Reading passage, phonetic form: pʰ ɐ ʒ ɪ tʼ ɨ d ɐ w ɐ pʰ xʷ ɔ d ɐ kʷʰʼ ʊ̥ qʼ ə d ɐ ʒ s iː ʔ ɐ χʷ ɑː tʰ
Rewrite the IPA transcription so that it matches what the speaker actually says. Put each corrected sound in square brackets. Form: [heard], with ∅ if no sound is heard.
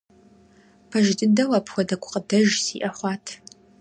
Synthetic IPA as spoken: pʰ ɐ ʒ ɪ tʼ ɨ d ɐ w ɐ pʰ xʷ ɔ d ɐ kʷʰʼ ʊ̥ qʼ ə d ɐ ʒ s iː ʔ ɐ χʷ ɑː tʰ